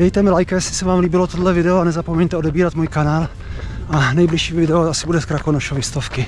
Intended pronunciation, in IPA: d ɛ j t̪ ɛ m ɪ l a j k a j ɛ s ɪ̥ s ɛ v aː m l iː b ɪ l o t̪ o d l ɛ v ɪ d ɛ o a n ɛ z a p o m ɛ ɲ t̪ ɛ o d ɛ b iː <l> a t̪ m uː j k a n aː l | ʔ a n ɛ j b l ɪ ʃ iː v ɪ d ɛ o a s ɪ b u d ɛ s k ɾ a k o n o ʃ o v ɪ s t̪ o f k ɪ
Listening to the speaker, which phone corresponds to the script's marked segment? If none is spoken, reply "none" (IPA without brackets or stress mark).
ɾ